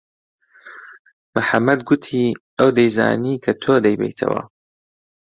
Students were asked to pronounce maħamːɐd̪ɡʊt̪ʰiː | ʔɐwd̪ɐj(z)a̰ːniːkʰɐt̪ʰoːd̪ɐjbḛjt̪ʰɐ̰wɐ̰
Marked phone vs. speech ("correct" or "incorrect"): correct